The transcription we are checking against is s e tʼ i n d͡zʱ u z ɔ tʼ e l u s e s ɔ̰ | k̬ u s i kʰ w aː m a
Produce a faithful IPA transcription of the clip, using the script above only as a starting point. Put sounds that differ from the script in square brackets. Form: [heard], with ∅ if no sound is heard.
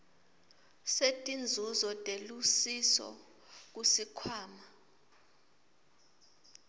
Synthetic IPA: s e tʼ i n d͡zʱ u z ɔ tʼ e l u s [i] s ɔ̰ | k̬ u s i kʰ w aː m a